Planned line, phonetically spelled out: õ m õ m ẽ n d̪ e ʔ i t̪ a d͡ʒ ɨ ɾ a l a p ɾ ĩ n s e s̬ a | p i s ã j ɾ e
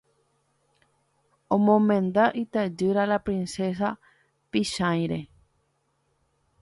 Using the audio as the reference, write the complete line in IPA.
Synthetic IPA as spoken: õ m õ m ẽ n d̪ a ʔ i t̪ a d͡ʒ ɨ ɾ a l a p ɾ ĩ n s e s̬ a | p i ʃ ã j ɾ e